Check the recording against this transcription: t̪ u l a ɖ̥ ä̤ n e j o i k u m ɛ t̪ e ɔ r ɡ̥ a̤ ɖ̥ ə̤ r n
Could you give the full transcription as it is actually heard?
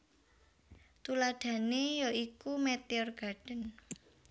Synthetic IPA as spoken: t̪ u l a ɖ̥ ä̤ n e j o i k u m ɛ t̪ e ɔ r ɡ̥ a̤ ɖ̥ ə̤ n

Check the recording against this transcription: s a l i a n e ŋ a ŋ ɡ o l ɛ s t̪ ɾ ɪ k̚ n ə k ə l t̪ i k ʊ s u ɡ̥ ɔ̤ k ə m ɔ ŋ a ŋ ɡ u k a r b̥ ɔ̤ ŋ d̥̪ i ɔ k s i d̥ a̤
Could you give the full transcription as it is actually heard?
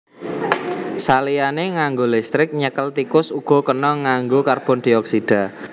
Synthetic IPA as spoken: s a l i a n e ŋ a ŋ ɡ o l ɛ s t̪ ɾ ɪ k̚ ɲ ə k ə l t̪ i k ʊ s u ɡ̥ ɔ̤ k ə n ɔ ŋ a ŋ ɡ o k a r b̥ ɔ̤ n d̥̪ i ɔ k s i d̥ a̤

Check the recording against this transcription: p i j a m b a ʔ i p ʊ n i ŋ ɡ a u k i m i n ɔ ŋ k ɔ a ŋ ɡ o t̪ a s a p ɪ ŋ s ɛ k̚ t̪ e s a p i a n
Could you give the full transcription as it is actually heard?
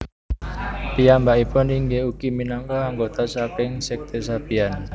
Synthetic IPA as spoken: p i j a m b a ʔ i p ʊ n i ŋ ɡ e u k i m i n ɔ ŋ k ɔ a ŋ ɡ o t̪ a s a p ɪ ŋ s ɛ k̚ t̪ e s a p i a n

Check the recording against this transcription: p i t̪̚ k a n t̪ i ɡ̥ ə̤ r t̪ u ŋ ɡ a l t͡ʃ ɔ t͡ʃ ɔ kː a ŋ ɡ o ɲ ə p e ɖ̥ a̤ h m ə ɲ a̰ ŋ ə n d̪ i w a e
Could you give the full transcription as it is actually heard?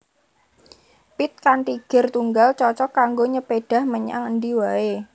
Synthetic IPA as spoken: p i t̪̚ k a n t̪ i ɡ̥ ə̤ r t̪ u ŋ ɡ a l t͡ʃ ɔ t͡ʃ ɔ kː a ŋ ɡ o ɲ ə p e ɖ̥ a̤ h m ə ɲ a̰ ŋ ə n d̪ i w a e

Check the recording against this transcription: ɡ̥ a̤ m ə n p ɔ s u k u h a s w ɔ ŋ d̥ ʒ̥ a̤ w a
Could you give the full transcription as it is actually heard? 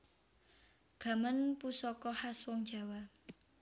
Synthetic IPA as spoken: ɡ̥ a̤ m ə n p u s ɔ k ɔ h a s w ɔ ŋ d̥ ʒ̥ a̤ w a

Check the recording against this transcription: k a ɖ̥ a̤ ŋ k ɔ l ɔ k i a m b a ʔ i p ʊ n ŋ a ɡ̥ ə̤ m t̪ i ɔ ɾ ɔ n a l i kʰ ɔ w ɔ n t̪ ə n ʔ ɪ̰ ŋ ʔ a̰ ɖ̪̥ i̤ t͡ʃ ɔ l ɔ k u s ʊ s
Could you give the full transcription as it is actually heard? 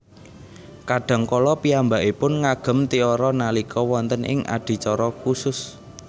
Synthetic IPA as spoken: k a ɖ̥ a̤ ŋ k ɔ l ɔ p i a m b a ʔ i p ʊ n ŋ a ɡ̥ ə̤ m t̪ i ɔ ɾ ɔ n a l i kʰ ɔ w ɔ n t̪ ə n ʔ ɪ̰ ŋ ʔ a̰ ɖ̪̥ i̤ t͡ʃ ɔ ɾ ɔ k u s ʊ s

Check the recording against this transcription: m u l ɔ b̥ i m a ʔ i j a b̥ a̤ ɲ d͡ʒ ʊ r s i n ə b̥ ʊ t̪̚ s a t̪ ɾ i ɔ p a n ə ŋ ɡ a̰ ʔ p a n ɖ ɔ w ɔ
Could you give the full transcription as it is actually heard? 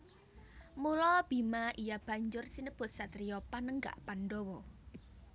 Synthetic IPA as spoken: m u l ɔ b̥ i m a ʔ i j a b̥ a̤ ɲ d͡ʒ ʊ r s i n ə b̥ ʊ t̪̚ s a t̪ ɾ i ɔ p a n ə ŋ ɡ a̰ ʔ p a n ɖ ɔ w ɔ

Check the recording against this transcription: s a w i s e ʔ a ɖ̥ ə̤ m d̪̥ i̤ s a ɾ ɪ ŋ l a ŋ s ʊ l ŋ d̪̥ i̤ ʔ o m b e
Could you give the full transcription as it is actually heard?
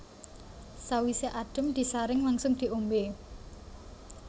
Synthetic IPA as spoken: s a w i s e ʔ a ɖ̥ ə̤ m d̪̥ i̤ s a ɾ ɪ ŋ l a ŋ s ʊ ŋ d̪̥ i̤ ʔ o m b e

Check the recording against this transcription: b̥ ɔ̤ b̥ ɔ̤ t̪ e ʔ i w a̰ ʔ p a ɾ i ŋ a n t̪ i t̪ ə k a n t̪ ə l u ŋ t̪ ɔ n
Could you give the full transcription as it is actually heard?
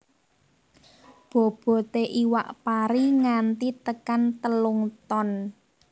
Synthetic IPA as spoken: b̥ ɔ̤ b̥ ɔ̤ t̪ e ʔ i w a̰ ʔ p a ɾ i ŋ a n t̪ i t̪ ə k a n t̪ ə l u ŋ t̪ ɔ n

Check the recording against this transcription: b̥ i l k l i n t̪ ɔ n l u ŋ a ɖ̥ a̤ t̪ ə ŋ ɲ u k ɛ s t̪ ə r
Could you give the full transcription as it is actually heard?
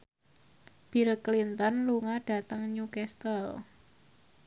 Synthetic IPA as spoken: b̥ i l k l i n t̪ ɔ n l u ŋ a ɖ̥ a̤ t̪ ə ŋ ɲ u k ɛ s t̪ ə l

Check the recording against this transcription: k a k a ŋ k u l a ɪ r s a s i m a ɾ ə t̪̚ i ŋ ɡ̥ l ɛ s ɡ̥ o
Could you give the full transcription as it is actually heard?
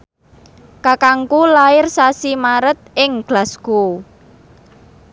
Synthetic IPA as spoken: k a k a ŋ k u l a ɪ r s a s i m a ɾ ə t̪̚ ɪ ŋ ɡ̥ l a s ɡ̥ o

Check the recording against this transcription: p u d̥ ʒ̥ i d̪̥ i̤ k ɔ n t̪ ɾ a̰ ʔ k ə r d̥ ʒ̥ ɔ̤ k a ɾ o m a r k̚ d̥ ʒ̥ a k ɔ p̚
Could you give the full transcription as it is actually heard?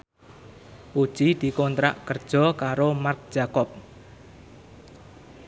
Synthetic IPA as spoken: p u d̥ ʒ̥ i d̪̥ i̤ k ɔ n t̪ ɾ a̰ ʔ k ə r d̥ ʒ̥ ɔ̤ k a ɾ o m a r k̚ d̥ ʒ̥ a k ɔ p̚

